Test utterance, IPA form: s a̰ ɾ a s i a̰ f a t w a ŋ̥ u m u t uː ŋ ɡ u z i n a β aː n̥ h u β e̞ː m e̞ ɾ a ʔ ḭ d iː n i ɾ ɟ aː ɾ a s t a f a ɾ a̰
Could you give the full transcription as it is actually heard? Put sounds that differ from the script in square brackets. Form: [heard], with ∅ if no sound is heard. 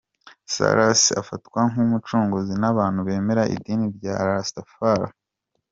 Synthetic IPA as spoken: s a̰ ɾ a s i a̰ f a t w a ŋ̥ u m u [t͡ʃ] uː ŋ ɡ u z i n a β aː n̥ h u β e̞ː m e̞ ɾ a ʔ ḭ d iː n i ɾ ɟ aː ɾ a s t a f a ɾ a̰